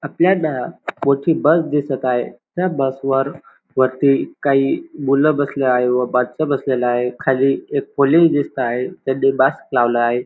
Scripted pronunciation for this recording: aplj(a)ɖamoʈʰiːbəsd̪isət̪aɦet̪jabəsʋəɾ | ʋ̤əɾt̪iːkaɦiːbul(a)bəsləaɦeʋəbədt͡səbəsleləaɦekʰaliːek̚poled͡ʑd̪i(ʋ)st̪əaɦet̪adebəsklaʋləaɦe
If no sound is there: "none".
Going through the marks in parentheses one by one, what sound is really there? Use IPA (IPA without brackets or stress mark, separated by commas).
a, ə, none